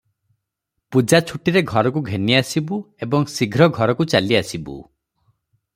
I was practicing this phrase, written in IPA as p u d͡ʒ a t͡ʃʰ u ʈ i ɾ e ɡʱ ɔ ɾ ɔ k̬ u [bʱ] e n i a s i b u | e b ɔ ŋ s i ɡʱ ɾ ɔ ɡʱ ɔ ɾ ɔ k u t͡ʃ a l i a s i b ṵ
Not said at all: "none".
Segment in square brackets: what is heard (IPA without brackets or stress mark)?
ɡʱ